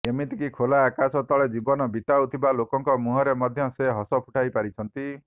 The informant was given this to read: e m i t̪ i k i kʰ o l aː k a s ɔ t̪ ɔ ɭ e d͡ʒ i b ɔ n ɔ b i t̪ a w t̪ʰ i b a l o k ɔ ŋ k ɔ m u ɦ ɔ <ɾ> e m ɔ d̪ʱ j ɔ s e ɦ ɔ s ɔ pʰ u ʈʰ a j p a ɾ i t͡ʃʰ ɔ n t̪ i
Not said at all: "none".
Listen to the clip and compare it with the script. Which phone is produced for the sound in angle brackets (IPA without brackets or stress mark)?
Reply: ɾ